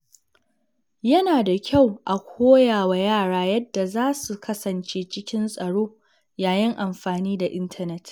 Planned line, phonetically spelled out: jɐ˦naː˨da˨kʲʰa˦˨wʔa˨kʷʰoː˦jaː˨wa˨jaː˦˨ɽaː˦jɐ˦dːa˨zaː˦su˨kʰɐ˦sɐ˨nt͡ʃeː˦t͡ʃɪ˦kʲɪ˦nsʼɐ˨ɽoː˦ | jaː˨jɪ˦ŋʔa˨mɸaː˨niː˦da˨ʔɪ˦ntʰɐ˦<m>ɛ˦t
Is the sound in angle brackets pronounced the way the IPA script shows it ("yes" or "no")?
no